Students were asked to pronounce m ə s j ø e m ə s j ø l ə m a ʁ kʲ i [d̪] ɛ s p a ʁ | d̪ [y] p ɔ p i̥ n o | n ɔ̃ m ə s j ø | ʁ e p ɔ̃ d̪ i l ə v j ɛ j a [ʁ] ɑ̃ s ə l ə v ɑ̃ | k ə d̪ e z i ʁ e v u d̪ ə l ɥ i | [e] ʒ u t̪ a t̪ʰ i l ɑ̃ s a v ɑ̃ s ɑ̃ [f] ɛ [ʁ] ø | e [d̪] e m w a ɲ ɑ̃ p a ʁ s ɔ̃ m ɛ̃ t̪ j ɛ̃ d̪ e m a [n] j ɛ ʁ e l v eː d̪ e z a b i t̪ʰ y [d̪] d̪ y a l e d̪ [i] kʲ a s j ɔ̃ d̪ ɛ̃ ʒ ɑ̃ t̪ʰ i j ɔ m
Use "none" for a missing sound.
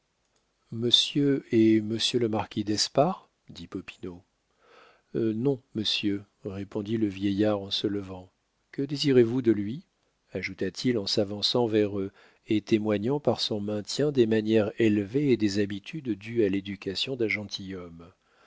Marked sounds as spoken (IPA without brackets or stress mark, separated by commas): d̪, i, ʁ, a, v, ʁ, t̪, n, d̪, y